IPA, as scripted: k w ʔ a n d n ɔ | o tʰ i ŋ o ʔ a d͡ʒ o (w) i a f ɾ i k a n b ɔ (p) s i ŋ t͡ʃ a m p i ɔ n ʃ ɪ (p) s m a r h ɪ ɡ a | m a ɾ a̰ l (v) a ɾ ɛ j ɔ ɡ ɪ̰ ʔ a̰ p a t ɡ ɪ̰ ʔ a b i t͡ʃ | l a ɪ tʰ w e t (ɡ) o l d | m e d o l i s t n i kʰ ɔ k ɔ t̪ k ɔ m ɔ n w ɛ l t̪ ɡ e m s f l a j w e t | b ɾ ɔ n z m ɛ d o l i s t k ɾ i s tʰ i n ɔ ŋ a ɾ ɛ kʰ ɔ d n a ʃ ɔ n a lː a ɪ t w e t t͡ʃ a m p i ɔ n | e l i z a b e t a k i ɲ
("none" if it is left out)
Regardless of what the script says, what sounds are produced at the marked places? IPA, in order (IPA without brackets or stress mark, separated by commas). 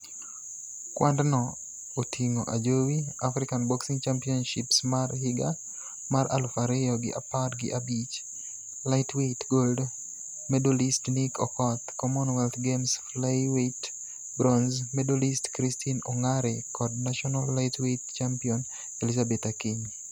w, k, p, f, ɡ